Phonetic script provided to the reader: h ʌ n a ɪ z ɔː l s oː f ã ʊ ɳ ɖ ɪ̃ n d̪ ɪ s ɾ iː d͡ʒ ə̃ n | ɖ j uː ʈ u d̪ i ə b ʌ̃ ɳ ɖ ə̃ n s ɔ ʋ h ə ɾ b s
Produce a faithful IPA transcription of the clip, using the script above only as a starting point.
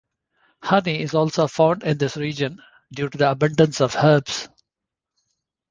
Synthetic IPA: h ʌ n i ɪ z ɔː l s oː f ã ʊ ɳ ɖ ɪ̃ n d̪ ɪ s ɾ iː d͡ʒ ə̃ n | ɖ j uː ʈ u d̪ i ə b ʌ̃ ɳ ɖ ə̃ n s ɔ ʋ h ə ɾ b s